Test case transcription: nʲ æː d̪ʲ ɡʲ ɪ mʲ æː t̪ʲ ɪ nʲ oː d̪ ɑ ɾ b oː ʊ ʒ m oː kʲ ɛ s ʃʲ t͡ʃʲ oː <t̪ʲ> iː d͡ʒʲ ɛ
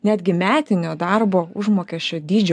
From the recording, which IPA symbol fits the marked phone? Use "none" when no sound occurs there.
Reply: d̪ʲ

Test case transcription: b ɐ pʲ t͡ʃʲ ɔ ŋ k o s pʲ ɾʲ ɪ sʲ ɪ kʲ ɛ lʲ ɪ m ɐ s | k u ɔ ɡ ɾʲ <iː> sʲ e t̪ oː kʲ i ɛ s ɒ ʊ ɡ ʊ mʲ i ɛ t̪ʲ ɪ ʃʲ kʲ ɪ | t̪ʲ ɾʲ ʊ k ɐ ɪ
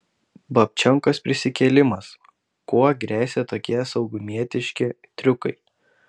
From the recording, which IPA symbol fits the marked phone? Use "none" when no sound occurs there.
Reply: æː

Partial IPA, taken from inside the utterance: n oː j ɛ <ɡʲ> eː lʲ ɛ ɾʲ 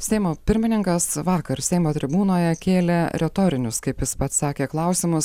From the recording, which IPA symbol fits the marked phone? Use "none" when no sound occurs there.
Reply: kʲ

